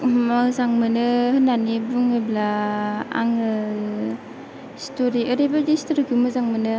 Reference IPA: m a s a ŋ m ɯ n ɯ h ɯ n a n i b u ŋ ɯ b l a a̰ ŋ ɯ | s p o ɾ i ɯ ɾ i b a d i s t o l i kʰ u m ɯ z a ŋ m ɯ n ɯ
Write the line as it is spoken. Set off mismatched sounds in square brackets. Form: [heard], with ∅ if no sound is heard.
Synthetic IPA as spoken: m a [z] a ŋ m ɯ n ɯ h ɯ n a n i b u ŋ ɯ b l a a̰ ŋ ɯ | s [t] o ɾ i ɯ ɾ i b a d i s t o [ɾ] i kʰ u m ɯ z a ŋ m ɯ n ɯ